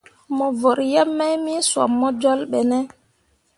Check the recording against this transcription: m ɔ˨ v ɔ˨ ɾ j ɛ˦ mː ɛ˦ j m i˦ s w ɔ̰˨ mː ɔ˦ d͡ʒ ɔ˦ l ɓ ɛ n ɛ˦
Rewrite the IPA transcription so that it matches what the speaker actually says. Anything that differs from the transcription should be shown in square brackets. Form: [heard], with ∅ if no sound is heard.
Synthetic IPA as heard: m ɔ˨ v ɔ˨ ɾ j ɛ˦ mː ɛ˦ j m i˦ s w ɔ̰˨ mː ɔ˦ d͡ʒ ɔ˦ l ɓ ɛ n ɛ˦